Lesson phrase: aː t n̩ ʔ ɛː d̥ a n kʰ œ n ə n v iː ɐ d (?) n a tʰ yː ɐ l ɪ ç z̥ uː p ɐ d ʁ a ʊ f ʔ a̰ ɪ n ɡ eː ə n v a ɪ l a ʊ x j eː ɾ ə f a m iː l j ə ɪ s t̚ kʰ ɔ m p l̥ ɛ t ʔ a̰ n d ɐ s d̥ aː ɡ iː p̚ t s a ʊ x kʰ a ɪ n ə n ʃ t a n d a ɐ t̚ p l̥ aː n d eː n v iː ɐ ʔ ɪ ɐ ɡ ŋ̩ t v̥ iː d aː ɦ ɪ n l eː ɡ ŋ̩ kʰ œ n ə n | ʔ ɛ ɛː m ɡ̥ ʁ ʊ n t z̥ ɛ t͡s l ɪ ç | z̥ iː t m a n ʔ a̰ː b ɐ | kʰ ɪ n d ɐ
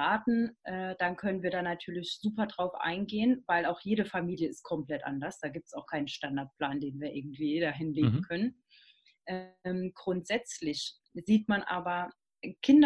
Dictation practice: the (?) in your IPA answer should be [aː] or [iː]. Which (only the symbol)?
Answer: aː